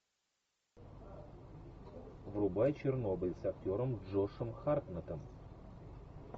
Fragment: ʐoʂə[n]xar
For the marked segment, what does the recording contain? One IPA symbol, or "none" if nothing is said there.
m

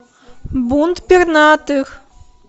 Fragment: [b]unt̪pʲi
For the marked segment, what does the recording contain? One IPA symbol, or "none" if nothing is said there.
b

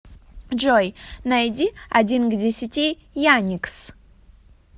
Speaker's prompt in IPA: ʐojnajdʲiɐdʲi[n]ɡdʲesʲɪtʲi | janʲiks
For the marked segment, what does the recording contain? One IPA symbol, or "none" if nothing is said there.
n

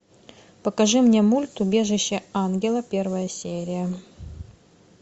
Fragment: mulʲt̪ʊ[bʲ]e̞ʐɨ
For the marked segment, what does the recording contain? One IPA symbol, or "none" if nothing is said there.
bʲ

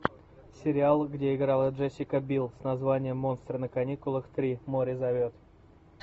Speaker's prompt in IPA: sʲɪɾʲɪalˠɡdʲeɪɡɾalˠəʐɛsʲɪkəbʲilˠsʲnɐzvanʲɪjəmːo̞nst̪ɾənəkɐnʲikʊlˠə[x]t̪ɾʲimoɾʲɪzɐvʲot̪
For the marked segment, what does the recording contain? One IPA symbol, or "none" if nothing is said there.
x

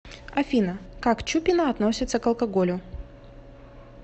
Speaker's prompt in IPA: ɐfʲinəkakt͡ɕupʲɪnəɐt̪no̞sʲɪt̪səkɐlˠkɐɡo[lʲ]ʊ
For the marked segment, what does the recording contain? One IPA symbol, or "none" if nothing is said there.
lʲ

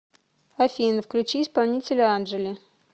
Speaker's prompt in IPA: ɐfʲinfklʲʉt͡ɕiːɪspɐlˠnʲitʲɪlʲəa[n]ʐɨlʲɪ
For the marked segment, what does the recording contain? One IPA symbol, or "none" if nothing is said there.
n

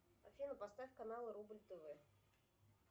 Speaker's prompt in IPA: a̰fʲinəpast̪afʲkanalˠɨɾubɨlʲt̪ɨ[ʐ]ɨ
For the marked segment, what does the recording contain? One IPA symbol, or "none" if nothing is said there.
v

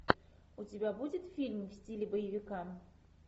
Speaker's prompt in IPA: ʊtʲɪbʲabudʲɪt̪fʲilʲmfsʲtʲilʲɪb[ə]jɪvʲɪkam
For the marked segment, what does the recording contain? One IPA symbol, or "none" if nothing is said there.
ə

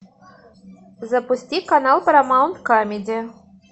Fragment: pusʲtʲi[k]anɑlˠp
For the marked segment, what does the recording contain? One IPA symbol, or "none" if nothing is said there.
k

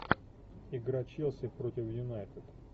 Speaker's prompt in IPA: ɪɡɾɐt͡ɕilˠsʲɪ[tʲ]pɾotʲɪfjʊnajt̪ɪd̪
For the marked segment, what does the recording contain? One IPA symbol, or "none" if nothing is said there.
none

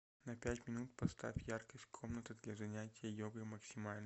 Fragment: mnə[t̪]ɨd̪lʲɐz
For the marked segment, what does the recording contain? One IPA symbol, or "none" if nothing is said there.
t̪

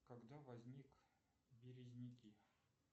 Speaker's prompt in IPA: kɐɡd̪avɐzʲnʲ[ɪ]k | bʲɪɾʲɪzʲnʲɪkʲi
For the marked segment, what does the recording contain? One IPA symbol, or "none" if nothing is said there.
i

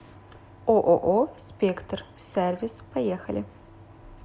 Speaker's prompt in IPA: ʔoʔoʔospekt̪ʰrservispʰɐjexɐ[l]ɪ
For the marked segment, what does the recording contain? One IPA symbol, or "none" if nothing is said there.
l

